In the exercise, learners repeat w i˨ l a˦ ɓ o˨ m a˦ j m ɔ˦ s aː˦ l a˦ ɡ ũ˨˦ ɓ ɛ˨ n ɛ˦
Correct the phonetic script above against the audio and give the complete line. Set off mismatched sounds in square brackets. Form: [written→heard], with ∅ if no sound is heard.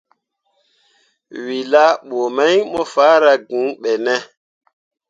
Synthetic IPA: w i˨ l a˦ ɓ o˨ m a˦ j m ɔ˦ [s→f] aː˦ [l→ɾ] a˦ ɡ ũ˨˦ ɓ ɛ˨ n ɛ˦